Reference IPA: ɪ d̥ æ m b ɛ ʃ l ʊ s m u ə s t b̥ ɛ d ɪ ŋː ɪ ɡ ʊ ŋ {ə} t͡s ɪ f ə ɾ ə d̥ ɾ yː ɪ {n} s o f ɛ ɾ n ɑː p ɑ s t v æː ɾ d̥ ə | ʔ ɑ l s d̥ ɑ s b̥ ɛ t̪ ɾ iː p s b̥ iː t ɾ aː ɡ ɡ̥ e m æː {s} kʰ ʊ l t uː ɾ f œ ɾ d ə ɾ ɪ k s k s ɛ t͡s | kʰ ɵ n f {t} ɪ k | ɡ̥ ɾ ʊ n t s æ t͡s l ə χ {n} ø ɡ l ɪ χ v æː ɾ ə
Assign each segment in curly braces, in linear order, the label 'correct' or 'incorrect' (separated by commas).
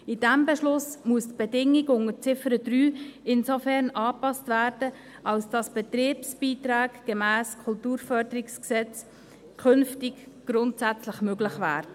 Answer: correct, correct, correct, correct, incorrect